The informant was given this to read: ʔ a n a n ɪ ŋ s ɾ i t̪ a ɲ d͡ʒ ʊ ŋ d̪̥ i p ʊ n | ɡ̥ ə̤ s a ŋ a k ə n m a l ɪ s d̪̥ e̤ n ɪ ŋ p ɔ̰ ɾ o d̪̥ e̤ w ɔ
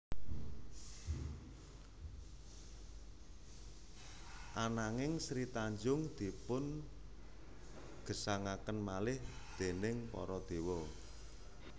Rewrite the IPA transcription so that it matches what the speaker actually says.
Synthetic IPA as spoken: ʔ a n a ŋ ɪ ŋ s ɾ i t̪ a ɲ d͡ʒ ʊ ŋ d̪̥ i p ʊ n | ɡ̥ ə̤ s a ŋ a k ə n m a l ɪ h d̪̥ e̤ n ɪ ŋ p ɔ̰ ɾ ɔ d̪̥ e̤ w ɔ